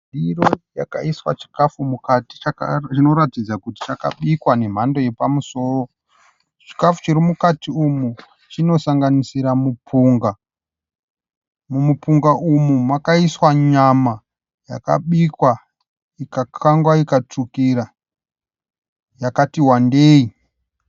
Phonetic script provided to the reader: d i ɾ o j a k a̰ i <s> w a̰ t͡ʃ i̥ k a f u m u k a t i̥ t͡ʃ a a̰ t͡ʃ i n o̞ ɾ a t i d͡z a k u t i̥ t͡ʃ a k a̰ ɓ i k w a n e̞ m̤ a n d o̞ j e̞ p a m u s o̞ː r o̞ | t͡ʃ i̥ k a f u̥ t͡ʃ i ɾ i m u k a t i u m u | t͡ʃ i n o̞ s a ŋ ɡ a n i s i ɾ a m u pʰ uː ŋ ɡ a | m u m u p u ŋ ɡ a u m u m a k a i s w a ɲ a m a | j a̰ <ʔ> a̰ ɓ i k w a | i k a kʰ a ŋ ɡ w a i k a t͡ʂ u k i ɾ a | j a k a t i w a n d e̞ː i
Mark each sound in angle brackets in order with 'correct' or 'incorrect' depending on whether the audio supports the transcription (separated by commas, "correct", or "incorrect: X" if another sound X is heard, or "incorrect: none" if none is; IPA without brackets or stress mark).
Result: correct, incorrect: k